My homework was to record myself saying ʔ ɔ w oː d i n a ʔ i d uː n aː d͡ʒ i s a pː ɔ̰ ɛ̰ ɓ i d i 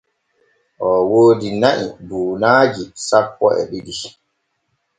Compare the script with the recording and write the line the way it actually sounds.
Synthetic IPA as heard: ʔ ɔ w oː d i n a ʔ i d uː n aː d͡ʒ i s a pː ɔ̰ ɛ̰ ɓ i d i